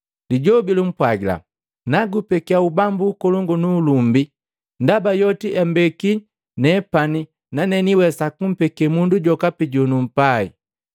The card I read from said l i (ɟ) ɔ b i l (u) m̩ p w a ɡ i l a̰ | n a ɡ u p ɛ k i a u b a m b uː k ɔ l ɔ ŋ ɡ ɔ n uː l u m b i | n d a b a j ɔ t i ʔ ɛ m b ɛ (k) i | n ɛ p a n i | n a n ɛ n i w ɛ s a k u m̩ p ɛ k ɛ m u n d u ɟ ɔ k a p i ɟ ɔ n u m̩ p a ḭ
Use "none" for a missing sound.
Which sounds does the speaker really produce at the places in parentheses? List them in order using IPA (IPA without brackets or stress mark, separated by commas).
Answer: ɟ, u, k